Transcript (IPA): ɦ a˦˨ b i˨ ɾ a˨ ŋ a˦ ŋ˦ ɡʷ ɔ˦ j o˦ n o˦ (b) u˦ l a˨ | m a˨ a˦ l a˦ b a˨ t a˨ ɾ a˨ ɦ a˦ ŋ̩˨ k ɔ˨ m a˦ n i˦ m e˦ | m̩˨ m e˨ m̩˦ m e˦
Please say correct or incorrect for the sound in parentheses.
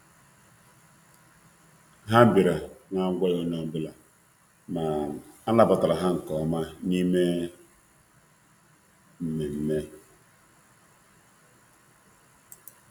correct